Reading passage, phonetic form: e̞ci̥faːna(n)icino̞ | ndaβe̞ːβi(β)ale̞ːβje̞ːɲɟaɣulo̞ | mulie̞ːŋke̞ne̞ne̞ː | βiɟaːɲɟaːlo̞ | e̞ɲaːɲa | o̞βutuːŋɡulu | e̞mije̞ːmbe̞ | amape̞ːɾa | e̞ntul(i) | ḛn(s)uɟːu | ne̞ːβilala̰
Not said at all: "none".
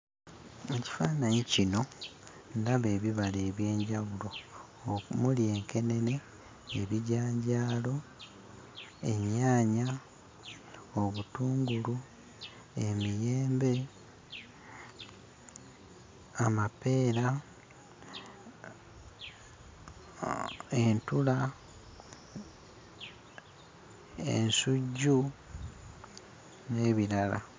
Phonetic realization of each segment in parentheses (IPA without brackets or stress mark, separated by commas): ɲ, β, a, s